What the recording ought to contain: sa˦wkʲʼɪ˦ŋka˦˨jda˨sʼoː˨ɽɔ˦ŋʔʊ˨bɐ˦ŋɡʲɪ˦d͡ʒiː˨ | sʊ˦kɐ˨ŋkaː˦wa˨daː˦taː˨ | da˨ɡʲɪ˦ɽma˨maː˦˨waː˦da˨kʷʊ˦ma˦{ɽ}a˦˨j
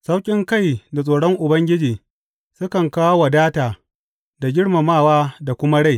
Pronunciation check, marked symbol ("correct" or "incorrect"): correct